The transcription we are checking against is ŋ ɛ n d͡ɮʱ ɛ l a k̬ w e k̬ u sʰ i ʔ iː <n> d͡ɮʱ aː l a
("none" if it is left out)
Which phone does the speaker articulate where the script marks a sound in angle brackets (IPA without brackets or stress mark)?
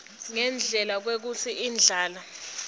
n